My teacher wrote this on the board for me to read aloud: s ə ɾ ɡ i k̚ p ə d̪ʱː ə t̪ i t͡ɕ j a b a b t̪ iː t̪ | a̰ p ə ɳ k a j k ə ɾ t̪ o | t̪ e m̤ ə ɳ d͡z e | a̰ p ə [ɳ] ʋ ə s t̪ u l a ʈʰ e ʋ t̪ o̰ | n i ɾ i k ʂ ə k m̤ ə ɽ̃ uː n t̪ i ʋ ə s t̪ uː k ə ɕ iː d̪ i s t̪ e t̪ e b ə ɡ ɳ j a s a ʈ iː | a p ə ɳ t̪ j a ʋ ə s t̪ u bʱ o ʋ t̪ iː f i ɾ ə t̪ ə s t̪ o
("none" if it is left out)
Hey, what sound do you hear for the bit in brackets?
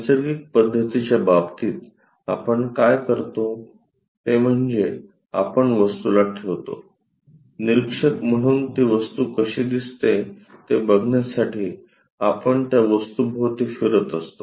ɳ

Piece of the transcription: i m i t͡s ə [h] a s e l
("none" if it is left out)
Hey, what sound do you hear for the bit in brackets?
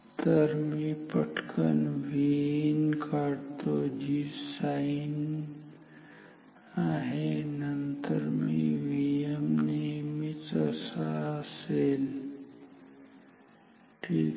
s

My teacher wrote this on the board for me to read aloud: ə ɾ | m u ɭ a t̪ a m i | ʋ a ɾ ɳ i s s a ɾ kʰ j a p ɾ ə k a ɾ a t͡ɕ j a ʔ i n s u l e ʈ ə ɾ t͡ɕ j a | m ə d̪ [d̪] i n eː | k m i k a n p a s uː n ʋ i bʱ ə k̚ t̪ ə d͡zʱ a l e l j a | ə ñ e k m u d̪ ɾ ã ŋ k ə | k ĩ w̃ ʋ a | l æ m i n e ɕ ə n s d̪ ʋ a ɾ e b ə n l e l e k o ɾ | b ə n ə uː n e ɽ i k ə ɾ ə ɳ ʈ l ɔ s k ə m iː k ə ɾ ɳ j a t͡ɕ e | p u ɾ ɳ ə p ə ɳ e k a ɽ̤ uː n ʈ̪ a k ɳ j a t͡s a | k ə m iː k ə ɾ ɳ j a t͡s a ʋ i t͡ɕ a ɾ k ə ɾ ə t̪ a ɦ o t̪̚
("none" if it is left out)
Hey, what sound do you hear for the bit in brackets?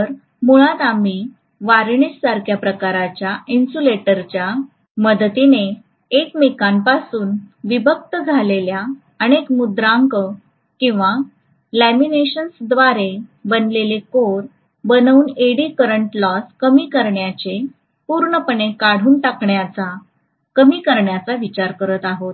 t̪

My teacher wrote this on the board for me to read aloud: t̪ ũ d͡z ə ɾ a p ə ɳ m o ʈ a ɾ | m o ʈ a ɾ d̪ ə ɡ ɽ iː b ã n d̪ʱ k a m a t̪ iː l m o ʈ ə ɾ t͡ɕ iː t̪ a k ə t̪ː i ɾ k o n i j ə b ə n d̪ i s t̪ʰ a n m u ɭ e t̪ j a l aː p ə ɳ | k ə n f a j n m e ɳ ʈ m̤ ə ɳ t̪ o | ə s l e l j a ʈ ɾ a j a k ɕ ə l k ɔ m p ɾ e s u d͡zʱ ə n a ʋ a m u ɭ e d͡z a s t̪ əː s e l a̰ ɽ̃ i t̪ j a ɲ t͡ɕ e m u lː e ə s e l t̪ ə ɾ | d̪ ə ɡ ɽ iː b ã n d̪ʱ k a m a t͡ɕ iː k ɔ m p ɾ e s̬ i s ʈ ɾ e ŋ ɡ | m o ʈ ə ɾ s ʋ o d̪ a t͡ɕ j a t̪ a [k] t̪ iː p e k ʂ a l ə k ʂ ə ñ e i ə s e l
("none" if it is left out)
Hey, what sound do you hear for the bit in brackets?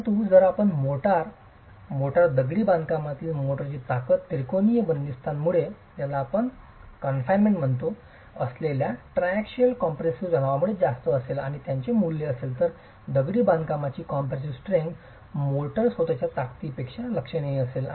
k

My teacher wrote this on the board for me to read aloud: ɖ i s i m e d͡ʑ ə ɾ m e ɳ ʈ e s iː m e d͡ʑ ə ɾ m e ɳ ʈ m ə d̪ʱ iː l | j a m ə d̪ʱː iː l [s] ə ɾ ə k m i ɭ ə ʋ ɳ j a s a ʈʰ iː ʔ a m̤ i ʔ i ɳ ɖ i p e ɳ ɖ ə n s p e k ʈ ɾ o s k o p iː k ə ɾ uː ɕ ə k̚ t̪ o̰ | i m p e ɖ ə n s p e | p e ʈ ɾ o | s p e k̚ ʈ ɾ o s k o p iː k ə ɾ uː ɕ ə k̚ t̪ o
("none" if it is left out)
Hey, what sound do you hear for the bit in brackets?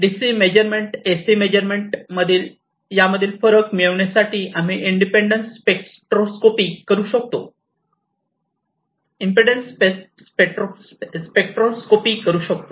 f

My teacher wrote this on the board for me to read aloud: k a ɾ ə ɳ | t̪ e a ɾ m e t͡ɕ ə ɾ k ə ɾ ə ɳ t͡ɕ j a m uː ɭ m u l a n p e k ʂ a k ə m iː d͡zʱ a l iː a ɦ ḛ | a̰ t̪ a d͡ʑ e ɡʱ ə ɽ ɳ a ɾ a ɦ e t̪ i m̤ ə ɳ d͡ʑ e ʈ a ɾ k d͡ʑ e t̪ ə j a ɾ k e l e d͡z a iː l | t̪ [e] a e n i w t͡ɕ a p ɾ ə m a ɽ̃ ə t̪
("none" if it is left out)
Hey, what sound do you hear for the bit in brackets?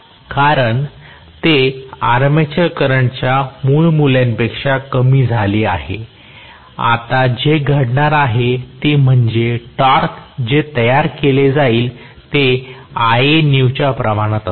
e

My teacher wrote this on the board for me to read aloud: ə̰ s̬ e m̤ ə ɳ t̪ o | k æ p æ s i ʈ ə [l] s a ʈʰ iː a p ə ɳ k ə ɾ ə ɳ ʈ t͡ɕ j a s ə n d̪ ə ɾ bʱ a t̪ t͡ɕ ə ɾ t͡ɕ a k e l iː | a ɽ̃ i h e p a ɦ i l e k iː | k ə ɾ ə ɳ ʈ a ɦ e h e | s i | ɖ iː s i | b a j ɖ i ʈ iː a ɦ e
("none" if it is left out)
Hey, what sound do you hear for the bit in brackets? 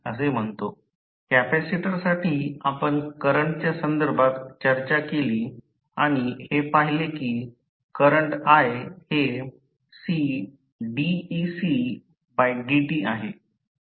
ɾ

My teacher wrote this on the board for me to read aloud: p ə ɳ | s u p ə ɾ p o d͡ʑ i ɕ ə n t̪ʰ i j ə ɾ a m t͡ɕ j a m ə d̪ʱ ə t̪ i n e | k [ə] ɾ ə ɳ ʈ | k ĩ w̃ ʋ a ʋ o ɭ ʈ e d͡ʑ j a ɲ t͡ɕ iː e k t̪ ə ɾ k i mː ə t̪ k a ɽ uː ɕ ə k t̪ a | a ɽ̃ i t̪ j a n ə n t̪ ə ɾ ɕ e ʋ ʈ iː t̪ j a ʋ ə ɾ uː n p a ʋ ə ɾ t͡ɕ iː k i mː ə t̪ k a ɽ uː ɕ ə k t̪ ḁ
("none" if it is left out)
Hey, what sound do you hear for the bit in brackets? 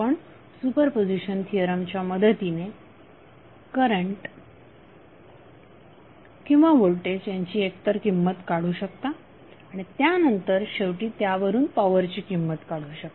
ə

